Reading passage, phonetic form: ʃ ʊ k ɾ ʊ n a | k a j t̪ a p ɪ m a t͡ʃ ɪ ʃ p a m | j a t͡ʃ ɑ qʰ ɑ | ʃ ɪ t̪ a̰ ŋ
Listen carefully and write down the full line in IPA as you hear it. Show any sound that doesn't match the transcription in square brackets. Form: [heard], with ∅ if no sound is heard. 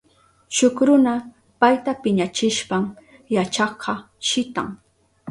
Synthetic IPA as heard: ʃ ʊ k ɾ ʊ n a | [p] a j t̪ a p ɪ [ɲ] a t͡ʃ ɪ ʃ p a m | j a t͡ʃ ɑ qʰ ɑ | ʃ ɪ t̪ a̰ ŋ